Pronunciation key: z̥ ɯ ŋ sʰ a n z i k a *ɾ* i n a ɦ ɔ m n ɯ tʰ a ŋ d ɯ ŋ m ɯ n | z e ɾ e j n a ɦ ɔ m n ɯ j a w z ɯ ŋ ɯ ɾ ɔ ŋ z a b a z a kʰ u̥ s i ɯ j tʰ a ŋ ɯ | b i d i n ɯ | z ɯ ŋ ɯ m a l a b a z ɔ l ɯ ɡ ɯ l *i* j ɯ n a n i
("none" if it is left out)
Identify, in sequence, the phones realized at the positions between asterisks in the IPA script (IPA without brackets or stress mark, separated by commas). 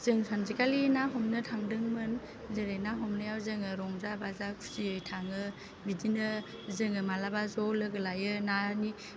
l, a